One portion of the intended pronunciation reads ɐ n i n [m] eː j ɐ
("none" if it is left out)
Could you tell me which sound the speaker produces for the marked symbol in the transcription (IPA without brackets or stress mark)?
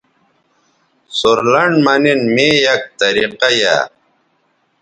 m